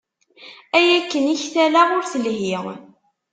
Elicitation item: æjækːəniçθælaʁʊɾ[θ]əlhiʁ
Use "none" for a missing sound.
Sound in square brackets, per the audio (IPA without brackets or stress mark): θ